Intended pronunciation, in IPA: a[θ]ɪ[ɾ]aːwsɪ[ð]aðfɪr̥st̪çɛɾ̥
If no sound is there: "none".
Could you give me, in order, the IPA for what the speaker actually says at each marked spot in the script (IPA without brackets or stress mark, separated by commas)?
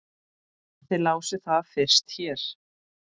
θ, l, θ